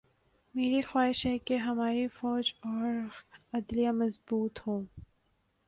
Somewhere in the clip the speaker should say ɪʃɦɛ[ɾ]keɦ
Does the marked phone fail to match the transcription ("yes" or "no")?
yes